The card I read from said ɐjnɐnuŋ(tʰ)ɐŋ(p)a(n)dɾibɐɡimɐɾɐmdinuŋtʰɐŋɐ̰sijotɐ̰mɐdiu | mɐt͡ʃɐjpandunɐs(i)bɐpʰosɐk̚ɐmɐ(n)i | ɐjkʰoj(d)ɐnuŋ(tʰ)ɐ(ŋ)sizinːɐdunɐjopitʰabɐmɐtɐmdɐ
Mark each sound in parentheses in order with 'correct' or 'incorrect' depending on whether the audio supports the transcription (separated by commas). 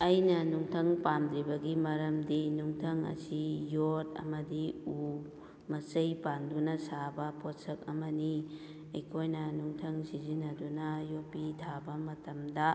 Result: correct, correct, correct, incorrect, correct, incorrect, correct, correct